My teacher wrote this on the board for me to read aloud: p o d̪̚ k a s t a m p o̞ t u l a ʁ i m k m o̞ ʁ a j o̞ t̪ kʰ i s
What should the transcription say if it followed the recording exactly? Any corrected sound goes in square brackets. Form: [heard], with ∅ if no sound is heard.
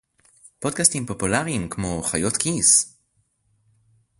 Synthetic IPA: p o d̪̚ k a s t [i] m p o̞ [p] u l a ʁ i m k m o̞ [χ] a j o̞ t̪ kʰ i s